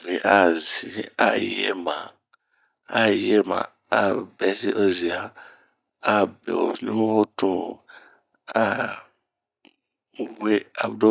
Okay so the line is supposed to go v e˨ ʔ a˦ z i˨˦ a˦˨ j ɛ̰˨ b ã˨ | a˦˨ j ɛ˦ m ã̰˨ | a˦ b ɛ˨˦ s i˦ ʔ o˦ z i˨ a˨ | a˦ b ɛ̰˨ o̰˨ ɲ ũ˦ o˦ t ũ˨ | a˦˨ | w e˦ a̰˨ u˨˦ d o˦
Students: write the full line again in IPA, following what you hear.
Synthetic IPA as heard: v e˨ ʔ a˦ z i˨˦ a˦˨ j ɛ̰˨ m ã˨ | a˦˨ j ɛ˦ m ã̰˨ | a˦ b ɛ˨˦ s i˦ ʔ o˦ z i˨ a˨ | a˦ b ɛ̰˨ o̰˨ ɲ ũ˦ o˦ t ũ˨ | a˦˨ | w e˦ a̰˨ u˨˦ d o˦